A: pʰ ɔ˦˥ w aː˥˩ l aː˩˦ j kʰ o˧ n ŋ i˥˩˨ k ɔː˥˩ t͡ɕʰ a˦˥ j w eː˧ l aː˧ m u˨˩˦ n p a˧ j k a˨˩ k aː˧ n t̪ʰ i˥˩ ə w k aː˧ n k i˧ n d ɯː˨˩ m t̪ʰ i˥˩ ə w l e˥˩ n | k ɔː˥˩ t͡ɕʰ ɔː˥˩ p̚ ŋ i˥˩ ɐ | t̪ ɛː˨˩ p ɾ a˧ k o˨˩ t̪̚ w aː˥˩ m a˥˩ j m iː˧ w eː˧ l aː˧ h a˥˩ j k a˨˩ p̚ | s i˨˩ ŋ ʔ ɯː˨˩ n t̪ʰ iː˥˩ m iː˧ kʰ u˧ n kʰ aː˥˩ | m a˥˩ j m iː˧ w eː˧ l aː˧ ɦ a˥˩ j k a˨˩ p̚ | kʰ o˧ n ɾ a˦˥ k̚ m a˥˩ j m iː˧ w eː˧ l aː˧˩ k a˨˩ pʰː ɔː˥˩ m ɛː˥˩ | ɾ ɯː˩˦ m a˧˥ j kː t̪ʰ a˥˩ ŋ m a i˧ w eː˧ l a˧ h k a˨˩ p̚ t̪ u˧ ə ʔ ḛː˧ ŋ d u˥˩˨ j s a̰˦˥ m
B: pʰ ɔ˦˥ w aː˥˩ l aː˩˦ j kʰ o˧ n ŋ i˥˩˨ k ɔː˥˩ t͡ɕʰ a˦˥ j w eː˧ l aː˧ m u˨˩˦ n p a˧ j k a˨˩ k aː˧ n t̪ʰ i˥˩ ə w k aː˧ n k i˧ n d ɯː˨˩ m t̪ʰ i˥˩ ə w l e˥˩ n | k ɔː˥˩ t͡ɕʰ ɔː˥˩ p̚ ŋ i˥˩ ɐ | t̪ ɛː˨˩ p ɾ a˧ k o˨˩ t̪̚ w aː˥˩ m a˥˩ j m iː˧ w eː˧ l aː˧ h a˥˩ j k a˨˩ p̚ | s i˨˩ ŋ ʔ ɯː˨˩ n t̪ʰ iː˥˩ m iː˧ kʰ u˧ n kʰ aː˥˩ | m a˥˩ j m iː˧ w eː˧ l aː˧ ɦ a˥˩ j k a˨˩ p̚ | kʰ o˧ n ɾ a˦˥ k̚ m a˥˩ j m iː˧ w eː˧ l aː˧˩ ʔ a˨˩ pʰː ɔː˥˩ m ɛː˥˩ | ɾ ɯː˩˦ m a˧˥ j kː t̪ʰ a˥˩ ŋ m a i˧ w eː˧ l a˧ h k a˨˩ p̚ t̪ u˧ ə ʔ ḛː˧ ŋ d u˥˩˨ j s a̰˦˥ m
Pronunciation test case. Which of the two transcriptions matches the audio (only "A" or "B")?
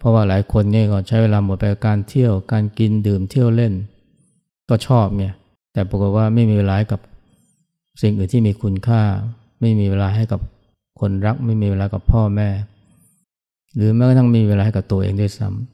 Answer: A